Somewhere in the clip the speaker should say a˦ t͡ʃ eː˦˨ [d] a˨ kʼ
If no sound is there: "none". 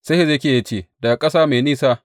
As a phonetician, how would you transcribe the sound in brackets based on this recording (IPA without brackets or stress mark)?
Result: d